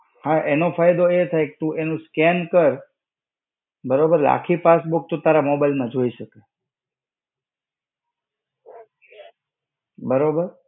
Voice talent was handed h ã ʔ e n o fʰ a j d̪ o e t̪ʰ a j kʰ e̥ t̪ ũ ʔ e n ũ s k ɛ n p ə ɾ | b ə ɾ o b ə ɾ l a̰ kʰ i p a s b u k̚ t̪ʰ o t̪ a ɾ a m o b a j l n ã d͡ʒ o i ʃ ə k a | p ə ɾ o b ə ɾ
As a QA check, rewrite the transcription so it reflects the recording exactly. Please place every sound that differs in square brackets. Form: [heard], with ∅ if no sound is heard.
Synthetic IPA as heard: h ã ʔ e n o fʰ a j d̪ o e t̪ʰ a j [k] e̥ t̪ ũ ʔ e n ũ s k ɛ n [k] ə ɾ | b ə ɾ o b ə ɾ l a̰ kʰ i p a s b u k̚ [t̪] o t̪ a ɾ a m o b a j l [m] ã d͡ʒ o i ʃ ə k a | [b] ə ɾ o b ə ɾ